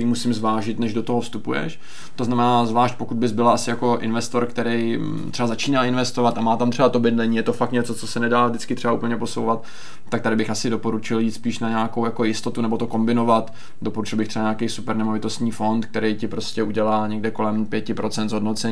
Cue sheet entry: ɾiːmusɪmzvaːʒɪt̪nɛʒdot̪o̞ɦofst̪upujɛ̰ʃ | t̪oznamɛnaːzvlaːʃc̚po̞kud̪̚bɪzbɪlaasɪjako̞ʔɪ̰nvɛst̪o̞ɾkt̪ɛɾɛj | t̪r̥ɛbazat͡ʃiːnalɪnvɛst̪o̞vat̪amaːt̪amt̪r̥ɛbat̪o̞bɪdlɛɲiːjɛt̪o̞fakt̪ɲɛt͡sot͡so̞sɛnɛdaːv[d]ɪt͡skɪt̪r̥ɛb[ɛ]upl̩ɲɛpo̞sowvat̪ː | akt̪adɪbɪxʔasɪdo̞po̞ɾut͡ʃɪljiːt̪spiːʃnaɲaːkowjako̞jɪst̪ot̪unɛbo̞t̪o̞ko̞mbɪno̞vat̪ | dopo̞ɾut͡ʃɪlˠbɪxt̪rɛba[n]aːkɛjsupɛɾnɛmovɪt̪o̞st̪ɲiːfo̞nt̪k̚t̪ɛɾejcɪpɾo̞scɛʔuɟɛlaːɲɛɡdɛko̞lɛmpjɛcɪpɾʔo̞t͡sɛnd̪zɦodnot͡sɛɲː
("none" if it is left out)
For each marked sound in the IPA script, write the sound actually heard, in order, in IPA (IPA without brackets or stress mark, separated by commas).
d, a, ɲ